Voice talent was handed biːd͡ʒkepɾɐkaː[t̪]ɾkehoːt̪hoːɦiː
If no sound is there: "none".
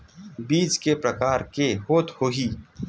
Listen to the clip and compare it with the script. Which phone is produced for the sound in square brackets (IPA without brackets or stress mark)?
none